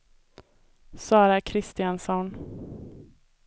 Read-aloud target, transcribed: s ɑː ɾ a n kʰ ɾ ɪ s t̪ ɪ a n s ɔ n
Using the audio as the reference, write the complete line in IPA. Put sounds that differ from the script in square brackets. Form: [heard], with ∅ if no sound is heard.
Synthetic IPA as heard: s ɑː ɾ a [∅] kʰ ɾ ɪ s t̪ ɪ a n s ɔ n